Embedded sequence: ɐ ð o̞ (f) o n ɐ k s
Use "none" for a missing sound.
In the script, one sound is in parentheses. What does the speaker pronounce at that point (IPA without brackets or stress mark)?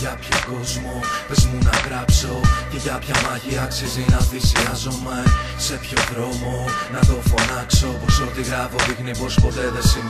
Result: f